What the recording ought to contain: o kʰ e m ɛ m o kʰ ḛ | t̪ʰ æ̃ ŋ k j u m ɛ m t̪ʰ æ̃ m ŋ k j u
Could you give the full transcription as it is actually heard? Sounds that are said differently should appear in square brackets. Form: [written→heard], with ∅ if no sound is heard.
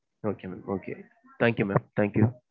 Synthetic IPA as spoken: o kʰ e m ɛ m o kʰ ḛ | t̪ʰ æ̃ ŋ k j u m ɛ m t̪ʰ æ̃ [m→∅] ŋ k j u